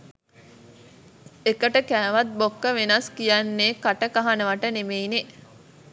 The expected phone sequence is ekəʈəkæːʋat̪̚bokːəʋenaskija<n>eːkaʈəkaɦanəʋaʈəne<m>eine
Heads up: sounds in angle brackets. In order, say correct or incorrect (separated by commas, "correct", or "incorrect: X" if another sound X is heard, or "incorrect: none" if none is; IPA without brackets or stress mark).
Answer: incorrect: nː, correct